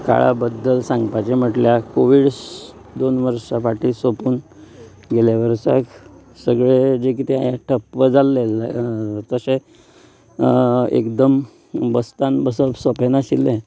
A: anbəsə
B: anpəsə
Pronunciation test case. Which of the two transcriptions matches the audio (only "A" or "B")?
A